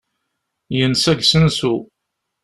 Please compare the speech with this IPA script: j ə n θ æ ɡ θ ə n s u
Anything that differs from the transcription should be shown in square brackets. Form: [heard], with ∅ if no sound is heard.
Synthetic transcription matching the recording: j ə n [s] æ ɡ [s] ə n s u